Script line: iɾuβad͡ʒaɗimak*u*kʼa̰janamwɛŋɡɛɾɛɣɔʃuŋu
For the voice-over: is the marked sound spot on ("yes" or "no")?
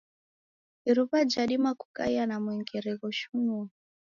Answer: yes